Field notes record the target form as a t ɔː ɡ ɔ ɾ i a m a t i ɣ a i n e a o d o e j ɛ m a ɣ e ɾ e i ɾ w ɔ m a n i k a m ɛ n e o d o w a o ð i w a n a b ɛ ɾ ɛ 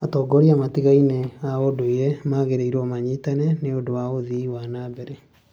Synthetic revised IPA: a t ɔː ɡ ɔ ɾ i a m a t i ɣ a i n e a o d o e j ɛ m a ɣ e ɾ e i ɾ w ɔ m a ɲ i t a n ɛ n e o d o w a o ð i w a n a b ɛ ɾ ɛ